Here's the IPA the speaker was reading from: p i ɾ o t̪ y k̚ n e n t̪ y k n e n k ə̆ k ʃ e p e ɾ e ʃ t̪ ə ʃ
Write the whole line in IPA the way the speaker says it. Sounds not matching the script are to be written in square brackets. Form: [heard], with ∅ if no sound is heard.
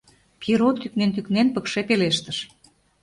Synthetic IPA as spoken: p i ɾ o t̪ y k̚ n e n t̪ y k n e n [p] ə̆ k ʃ e p e [l] e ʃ t̪ ə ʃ